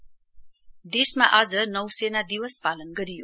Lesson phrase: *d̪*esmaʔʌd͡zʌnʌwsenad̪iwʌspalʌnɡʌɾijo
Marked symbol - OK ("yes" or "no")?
yes